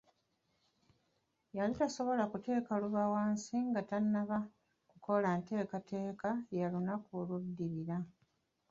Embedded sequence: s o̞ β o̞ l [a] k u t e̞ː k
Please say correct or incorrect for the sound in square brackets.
correct